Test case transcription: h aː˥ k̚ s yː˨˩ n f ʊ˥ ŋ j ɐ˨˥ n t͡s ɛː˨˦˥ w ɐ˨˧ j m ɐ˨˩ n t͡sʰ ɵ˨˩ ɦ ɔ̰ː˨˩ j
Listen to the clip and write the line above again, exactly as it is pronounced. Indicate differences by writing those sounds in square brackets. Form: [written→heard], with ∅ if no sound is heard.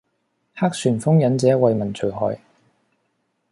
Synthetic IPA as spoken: h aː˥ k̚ s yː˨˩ n f ʊ˥ ŋ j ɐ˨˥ n t͡s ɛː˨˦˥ w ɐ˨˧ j m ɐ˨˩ n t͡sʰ ɵ˨˩ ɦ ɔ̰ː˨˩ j